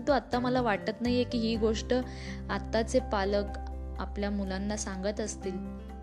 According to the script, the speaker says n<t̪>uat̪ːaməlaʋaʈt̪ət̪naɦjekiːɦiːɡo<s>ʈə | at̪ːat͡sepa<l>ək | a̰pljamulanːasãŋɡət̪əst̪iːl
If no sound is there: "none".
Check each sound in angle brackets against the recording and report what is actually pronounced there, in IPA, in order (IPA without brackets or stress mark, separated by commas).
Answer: t̪, ʂ, l